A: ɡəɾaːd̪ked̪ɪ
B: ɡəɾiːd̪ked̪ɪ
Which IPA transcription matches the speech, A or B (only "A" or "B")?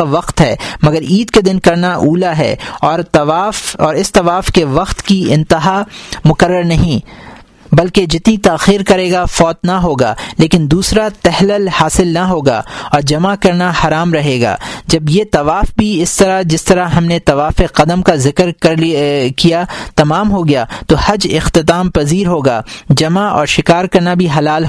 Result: B